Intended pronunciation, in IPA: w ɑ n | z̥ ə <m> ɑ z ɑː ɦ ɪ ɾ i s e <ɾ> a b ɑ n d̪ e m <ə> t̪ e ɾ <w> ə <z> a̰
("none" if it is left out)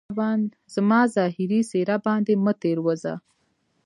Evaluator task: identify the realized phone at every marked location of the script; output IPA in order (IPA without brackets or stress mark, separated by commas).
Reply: m, ɾ, ə, w, z